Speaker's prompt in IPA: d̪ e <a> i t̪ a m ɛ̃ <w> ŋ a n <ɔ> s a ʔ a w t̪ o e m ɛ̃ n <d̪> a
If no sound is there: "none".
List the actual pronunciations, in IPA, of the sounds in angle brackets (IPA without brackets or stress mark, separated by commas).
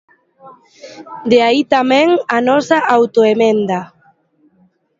a, none, ɔ, d̪